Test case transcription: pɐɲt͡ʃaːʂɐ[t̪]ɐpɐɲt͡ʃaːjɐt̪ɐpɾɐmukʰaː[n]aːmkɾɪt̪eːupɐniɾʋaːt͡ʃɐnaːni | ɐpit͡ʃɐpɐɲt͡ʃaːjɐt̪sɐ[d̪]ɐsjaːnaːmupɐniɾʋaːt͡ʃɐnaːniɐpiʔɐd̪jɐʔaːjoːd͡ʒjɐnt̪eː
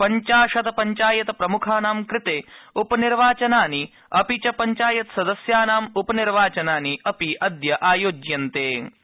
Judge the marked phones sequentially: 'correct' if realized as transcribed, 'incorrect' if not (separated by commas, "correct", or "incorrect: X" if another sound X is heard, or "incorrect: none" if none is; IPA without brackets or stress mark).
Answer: correct, correct, correct